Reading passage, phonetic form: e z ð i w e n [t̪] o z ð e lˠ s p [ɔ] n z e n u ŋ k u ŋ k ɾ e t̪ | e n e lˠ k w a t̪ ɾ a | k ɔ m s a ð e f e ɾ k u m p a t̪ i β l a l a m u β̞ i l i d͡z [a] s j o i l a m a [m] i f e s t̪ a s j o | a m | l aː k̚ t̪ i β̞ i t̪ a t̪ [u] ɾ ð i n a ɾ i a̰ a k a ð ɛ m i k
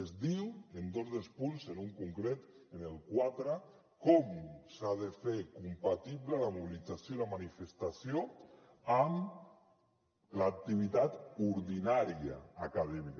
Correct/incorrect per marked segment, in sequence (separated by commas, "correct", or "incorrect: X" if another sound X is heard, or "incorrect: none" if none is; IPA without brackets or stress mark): incorrect: d̪, incorrect: u, correct, incorrect: n, correct